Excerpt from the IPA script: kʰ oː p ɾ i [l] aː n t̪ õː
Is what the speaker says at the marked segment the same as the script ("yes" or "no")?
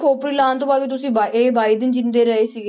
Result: yes